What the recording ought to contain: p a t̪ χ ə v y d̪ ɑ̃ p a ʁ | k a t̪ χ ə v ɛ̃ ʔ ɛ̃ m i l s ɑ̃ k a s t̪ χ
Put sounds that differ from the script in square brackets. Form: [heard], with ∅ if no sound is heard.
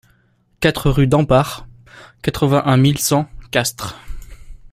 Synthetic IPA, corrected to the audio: [k] a t̪ χ ə [ʁ] y d̪ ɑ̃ p a ʁ | k a t̪ χ ə v ɛ̃ ʔ ɛ̃ m i l s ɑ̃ k a s t̪ χ